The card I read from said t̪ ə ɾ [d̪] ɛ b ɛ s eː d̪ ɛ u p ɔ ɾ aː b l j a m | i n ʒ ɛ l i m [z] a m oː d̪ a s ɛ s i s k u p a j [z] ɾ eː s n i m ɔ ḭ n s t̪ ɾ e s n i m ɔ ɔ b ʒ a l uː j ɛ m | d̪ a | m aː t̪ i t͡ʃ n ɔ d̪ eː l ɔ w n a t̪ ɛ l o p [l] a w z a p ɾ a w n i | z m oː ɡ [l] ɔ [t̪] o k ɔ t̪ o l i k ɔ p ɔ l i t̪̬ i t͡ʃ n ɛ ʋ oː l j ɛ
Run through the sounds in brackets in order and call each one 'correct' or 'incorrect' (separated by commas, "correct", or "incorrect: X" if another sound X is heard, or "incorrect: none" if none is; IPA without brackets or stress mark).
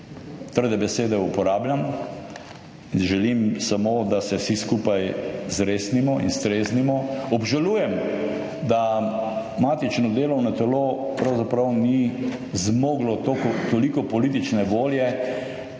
correct, incorrect: s, correct, incorrect: ɾ, correct, correct